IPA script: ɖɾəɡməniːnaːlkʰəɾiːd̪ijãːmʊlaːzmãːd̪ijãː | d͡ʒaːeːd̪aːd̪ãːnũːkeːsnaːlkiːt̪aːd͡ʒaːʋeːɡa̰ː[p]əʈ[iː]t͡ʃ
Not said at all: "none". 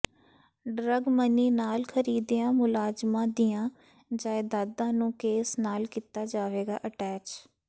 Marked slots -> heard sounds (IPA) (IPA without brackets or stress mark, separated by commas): ʔ, ɛː